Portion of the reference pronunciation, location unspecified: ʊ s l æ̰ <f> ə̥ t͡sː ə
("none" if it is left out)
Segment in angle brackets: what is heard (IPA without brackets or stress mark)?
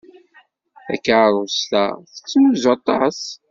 θ